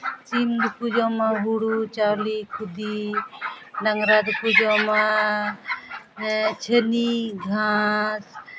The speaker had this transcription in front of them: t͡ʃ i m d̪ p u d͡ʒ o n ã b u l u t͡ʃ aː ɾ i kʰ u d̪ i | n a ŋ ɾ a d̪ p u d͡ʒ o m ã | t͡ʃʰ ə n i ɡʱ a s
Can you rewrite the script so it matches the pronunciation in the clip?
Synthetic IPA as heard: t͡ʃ i m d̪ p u d͡ʒ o m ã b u ɽ u t͡ʃ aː l i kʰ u d̪ i | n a ŋ ɾ a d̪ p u d͡ʒ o m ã | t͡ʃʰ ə n i ɡʱ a s